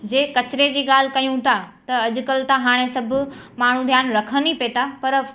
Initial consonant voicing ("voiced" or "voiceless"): voiced